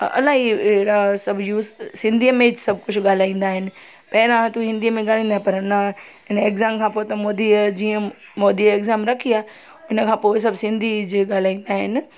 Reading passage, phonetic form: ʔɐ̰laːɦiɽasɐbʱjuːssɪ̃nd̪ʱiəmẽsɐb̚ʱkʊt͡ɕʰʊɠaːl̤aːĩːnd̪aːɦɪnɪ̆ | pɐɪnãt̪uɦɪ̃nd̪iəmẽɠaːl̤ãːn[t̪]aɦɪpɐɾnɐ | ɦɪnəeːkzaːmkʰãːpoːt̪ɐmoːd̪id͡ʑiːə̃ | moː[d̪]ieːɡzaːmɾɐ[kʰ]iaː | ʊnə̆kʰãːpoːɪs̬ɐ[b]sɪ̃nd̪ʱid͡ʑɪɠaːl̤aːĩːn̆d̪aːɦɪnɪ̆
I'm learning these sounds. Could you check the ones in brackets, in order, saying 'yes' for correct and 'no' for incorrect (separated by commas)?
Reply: no, yes, yes, yes